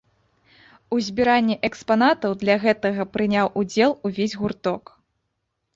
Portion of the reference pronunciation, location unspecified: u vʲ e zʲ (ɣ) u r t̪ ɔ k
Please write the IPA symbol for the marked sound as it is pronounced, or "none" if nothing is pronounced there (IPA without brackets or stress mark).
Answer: ɣ